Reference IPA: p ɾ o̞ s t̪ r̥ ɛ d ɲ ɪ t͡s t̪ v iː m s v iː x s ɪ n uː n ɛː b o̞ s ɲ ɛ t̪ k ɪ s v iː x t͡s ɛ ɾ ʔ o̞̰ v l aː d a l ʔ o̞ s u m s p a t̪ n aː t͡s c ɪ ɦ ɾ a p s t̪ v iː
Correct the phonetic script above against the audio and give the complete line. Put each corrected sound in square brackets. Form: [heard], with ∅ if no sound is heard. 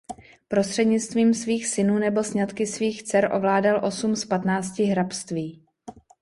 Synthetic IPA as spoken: p ɾ o̞ s t̪ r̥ ɛ d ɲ ɪ t͡s t̪ v iː m s v iː x s ɪ n uː n [ɛ] b o̞ s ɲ [a] t̪ k ɪ s v iː x t͡s ɛ ɾ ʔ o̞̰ v l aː d a l ʔ o̞ s u m s p a t̪ n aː t͡s c ɪ ɦ ɾ a p s t̪ v iː